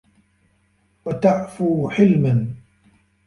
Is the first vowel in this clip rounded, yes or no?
no